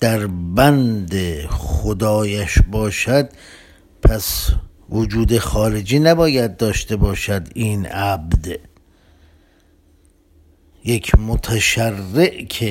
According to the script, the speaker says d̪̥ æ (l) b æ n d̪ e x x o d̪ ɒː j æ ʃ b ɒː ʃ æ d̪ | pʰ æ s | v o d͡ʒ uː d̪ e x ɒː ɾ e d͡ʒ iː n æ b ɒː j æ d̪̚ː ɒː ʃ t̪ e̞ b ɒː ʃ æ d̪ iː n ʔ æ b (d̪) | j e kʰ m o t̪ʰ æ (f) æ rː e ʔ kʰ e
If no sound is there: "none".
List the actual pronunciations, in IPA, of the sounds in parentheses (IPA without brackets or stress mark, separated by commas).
ɾ, d̪, ʃ